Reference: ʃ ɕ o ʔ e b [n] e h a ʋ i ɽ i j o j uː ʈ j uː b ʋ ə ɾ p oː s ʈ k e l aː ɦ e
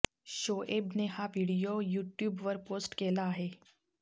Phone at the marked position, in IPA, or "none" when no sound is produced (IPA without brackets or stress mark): n